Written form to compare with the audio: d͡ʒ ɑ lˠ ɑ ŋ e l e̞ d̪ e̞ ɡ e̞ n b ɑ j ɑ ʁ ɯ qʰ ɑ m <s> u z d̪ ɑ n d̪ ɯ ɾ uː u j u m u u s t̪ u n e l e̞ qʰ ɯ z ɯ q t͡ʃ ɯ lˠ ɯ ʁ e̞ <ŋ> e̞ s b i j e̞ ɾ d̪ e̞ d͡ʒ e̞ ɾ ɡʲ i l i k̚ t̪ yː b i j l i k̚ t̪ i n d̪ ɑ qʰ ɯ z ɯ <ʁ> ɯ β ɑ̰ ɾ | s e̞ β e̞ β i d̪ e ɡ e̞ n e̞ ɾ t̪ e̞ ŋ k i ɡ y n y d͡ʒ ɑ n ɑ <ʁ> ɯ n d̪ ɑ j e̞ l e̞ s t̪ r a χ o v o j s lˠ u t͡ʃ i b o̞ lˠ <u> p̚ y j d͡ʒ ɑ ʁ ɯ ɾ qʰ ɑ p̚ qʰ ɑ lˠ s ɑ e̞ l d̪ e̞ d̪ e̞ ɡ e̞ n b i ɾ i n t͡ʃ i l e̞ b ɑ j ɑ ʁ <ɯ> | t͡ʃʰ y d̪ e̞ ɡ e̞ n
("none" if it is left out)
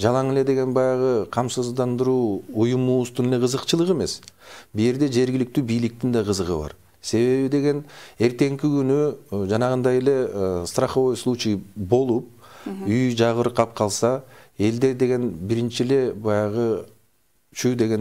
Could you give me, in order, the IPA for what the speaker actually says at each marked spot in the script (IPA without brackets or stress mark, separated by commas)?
s, m, ʁ, ʁ, u, ɯ